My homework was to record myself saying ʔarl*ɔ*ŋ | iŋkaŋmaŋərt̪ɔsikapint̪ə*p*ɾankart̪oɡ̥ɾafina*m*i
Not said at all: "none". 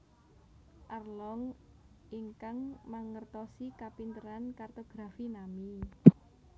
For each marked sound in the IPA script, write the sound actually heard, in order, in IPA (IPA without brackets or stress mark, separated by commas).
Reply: ɔ, none, m